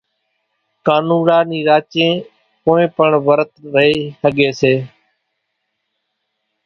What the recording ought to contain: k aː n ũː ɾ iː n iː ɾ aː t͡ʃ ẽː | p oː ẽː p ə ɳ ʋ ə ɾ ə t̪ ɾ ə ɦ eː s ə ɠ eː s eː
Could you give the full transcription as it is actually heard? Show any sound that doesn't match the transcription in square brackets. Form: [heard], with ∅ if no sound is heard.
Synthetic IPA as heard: k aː n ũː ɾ [aː] n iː ɾ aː t͡ʃ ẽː | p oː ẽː p ə ɳ ʋ ə ɾ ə t̪ ɾ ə ɦ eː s ə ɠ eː s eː